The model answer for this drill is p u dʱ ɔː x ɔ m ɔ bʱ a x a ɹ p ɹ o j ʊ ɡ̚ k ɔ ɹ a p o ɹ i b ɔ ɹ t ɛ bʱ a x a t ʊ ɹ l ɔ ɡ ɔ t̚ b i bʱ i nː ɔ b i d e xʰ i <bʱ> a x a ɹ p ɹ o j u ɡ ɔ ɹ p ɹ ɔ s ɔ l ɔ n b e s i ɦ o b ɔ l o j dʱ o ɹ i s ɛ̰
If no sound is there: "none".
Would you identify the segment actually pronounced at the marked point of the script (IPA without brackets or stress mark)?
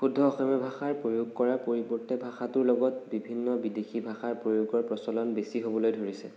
bʱ